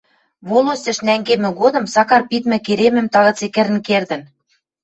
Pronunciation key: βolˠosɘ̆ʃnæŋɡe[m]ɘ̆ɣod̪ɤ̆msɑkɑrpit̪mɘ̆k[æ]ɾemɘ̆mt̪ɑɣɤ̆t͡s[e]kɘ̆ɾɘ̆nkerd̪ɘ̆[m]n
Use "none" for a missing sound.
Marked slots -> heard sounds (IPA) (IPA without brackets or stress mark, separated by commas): m, e, e, none